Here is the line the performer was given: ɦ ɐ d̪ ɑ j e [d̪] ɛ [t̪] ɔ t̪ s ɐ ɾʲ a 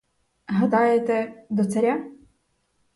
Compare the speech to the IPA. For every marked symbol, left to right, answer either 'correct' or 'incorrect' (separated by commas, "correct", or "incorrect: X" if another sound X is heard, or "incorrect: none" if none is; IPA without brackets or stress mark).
incorrect: t̪, incorrect: d̪